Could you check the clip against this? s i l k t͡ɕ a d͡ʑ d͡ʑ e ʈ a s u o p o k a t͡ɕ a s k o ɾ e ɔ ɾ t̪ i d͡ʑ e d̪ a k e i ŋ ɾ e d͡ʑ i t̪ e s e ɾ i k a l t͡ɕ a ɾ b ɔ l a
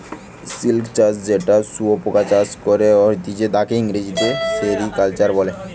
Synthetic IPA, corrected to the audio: s i l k t͡ɕ a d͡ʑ d͡ʑ e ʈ a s u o p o k a t͡ɕ a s k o ɾ e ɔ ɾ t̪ i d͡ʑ e d̪ a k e i ŋ ɾ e d͡ʑ i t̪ e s e ɾ i k a l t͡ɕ a ɾ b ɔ l e